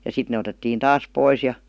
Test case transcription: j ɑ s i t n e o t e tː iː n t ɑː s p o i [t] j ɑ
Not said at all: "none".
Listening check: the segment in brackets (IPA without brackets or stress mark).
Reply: s